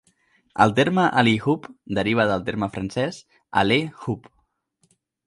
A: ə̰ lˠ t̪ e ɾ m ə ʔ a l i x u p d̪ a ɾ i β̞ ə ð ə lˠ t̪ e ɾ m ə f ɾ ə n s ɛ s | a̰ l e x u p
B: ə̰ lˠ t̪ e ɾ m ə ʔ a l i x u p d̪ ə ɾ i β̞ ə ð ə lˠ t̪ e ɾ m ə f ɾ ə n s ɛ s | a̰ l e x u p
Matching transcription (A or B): B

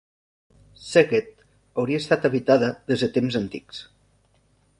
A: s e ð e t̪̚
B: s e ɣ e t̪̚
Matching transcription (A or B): B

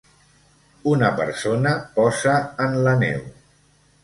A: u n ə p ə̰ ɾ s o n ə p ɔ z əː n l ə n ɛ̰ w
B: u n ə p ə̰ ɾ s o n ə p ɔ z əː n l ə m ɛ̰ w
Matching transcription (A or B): A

